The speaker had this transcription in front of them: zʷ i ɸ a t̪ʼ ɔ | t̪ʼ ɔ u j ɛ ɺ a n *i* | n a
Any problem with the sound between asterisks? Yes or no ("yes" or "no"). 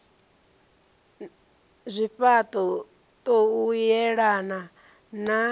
yes